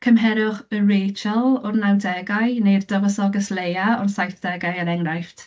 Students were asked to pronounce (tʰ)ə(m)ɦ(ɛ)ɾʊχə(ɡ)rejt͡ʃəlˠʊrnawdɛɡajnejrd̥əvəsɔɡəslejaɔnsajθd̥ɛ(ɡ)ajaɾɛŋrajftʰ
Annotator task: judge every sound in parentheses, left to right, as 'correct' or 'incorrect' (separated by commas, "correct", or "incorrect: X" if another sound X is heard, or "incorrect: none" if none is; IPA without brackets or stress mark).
incorrect: kʰ, correct, correct, incorrect: none, correct